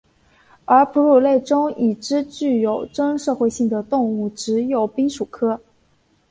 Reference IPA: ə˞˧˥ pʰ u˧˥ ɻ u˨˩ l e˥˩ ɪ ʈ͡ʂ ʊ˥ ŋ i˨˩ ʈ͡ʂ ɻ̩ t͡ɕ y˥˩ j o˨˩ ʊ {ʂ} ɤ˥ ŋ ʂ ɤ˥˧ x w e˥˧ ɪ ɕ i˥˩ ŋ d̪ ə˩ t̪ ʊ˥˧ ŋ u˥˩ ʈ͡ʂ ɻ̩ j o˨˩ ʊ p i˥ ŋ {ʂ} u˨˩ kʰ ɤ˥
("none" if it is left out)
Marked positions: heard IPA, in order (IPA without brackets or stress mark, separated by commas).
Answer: ʈ͡ʂ, ʂ